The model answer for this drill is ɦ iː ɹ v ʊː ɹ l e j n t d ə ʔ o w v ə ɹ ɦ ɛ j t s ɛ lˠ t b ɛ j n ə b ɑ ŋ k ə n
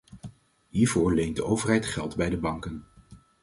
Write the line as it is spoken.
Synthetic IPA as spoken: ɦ iː ɹ v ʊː ɹ l e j n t d ə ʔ o w v ə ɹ ɦ ɛ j t χ ɛ lˠ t b ɛ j d ə b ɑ ŋ k ə n